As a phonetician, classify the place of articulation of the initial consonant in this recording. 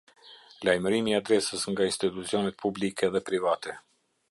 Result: alveolar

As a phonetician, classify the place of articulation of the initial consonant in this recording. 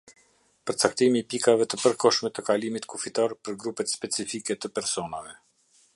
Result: labial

